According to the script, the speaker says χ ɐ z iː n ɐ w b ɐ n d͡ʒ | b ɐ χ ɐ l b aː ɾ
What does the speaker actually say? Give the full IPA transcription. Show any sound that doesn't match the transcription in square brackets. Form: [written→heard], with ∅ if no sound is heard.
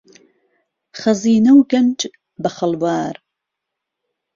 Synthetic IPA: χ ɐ z iː n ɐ w [b→ɡ] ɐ n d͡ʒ | b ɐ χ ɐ l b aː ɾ

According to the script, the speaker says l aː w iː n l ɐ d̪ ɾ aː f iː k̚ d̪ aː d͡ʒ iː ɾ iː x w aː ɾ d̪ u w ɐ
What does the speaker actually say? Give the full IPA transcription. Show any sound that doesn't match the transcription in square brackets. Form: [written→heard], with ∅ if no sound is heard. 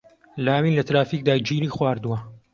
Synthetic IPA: l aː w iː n l ɐ [d̪→t̪] ɾ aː f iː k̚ d̪ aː d͡ʒ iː ɾ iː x w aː ɾ d̪ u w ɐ

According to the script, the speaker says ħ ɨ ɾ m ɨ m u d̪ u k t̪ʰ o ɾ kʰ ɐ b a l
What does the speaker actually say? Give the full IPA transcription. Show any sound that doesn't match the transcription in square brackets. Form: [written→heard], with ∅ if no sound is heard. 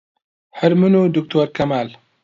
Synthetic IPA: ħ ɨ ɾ m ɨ [m→n] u d̪ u k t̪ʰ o ɾ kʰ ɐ [b→m] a l

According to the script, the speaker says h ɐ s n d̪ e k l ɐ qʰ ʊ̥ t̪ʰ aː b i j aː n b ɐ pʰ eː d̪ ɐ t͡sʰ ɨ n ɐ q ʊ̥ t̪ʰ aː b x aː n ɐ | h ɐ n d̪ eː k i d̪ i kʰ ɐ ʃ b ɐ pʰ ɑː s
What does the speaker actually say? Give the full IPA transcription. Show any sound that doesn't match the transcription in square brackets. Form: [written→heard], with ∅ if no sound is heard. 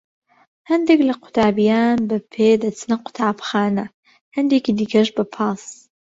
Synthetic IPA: h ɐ [s→∅] n d̪ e k l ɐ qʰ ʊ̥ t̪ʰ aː b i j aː n b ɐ pʰ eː d̪ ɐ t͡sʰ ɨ n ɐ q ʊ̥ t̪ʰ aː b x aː n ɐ | h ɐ n d̪ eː k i d̪ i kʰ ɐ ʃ b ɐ pʰ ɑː s

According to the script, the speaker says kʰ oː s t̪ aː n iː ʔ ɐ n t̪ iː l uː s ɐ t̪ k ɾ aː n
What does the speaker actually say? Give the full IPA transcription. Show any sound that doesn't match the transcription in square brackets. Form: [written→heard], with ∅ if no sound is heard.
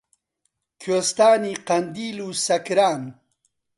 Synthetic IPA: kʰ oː s t̪ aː n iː [ʔ→q] ɐ n [t̪→d̪] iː l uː s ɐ [t̪→∅] k ɾ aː n

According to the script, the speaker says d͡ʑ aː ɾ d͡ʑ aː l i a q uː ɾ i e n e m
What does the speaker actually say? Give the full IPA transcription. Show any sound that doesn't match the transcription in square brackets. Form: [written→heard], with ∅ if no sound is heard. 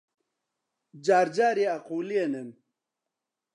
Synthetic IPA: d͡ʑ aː ɾ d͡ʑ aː [l→ɾ] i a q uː [ɾ→l] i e n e m

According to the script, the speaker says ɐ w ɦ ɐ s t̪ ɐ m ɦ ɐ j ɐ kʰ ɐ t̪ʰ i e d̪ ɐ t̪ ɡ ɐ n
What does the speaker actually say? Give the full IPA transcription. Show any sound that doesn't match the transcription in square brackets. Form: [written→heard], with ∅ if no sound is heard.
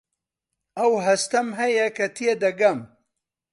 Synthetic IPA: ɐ w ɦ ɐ s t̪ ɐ m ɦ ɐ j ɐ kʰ ɐ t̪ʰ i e d̪ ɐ [t̪→∅] ɡ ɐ [n→m]

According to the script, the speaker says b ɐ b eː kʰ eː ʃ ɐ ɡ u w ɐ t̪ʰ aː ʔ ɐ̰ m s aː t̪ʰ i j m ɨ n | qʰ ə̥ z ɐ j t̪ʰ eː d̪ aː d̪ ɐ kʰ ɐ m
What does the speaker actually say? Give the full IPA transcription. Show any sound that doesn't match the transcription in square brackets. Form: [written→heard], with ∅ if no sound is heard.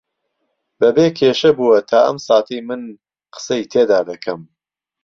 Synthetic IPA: b ɐ b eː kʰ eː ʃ ɐ [ɡ→b] u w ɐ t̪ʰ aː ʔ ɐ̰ m s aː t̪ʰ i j m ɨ n | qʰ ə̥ [z→s] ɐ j t̪ʰ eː d̪ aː d̪ ɐ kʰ ɐ m

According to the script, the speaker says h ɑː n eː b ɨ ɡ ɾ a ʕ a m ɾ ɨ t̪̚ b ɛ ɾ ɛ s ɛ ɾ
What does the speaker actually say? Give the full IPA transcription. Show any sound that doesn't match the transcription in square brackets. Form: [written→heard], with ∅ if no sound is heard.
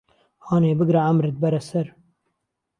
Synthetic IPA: h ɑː n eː b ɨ ɡ ɾ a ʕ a m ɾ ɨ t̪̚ b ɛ ɾ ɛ s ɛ ɾ

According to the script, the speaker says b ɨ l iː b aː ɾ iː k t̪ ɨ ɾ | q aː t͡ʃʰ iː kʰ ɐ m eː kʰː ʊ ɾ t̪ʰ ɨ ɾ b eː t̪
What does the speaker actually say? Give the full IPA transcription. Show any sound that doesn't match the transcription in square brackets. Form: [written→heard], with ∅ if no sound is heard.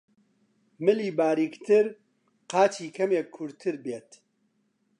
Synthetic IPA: [b→m] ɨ l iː b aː ɾ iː k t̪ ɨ ɾ | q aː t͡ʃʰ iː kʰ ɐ m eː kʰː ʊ ɾ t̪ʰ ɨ ɾ b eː t̪

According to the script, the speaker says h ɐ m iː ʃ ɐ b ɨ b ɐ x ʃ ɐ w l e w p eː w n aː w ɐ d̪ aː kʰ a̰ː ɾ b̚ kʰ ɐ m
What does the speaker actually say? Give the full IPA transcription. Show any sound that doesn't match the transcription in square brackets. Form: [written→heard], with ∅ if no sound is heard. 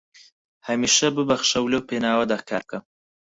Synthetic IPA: h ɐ m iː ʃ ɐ b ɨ b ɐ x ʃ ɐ w l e w p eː [w→∅] n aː w ɐ d̪ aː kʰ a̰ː ɾ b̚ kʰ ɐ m

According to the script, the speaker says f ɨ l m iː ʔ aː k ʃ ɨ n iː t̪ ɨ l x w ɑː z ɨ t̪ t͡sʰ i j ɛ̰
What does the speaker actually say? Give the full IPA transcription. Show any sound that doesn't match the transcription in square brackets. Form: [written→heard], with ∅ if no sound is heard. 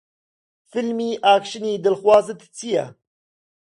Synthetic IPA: f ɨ l m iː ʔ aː k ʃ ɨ n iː [t̪→d̪] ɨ l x w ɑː z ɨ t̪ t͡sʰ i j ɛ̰

